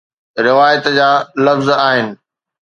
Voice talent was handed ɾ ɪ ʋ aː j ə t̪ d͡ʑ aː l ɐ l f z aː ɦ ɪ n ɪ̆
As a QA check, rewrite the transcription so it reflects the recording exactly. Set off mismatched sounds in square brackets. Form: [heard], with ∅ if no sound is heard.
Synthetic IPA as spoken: ɾ ɪ ʋ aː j ə t̪ d͡ʑ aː l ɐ [∅] f z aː ɦ ɪ n ɪ̆